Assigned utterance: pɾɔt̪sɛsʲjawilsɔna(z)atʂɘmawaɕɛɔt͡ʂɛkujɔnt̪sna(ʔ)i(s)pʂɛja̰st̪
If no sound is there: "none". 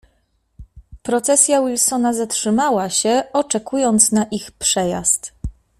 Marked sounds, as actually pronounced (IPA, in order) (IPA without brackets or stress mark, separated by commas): z, ʔ, x